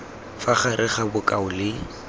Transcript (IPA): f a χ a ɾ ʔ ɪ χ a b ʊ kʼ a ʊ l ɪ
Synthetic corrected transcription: f a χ a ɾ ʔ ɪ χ a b ʊ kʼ a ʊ l ɪ